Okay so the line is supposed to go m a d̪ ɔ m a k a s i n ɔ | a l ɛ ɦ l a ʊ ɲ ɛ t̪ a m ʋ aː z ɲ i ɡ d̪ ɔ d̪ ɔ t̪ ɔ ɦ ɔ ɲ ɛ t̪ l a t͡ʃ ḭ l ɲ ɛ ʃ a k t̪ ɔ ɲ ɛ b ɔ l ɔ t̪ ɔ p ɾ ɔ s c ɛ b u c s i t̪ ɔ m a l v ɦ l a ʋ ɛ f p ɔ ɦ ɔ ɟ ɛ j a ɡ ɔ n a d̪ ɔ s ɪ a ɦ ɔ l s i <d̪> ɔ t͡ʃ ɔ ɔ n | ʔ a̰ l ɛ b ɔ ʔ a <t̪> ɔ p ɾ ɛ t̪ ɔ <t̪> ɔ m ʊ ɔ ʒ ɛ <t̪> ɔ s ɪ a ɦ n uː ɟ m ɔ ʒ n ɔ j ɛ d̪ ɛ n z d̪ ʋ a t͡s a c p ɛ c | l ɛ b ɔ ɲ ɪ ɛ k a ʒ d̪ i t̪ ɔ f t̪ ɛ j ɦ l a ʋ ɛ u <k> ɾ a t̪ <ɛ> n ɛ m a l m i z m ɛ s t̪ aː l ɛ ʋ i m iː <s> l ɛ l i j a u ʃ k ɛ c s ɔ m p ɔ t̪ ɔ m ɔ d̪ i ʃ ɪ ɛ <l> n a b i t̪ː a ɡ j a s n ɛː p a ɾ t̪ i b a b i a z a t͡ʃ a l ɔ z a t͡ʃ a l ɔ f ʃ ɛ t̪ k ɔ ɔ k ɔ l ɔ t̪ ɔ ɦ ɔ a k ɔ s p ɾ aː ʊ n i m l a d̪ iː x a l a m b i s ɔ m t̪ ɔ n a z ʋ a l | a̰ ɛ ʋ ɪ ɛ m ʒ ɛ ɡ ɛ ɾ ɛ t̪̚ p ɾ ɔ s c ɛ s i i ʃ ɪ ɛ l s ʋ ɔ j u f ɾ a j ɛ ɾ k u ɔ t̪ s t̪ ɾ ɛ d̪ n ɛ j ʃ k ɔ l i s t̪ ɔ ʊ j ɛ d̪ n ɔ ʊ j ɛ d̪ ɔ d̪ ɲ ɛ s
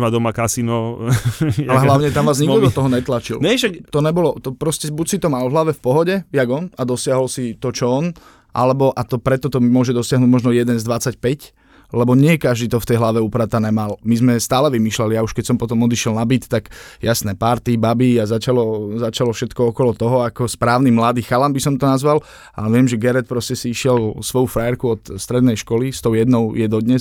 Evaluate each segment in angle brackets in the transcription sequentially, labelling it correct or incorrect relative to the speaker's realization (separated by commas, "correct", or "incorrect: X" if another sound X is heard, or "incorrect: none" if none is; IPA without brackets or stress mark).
incorrect: t̪, correct, correct, incorrect: d̪, incorrect: p, incorrect: a, incorrect: ʃ, correct